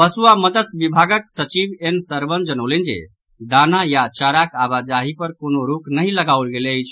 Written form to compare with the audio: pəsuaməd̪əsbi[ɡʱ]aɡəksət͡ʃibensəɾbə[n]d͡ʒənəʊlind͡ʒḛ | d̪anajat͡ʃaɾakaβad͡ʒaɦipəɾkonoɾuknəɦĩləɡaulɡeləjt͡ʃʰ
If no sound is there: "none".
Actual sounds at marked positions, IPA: bʱ, n

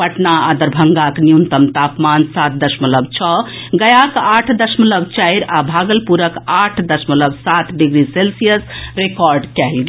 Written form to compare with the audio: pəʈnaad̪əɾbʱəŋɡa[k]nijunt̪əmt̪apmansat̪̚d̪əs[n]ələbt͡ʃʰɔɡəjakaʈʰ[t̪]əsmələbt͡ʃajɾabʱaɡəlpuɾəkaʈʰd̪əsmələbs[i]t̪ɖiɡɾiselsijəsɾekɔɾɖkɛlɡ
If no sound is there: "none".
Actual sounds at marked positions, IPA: k, m, d̪, a

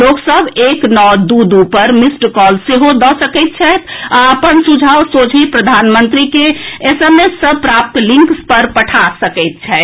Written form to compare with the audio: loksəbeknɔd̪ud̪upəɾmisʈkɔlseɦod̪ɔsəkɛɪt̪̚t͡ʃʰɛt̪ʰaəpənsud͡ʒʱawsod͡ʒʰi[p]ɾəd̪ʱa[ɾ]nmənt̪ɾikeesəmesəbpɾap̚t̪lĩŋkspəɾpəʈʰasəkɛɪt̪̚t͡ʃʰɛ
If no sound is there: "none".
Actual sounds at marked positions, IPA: p, none

